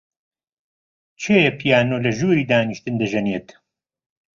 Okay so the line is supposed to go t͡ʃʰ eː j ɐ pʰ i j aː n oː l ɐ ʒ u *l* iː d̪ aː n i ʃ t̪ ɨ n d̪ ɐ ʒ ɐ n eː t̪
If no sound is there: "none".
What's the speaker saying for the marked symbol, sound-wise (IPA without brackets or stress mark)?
ɾ